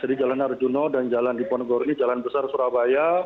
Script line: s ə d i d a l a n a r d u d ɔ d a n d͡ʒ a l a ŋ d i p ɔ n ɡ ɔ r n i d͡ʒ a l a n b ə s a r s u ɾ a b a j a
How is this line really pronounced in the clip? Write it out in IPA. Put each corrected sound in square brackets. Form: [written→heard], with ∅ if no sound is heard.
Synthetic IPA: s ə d i [d→d͡ʒ] a l a n a r [d→d͡ʒ] u [d→n] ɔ d a n d͡ʒ a l a [ŋ→n] d i p ɔ n ɡ ɔ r n i d͡ʒ a l a n b ə s a r s u ɾ a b a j a